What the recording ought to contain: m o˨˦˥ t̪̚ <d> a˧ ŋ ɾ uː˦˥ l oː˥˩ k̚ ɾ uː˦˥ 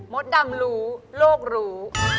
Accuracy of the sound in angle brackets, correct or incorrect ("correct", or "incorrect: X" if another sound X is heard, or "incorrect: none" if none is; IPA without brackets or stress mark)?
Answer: correct